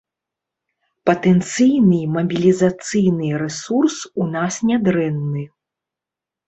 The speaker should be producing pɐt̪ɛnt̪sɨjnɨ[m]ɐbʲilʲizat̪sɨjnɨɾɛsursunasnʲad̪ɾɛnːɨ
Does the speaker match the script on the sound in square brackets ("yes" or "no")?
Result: yes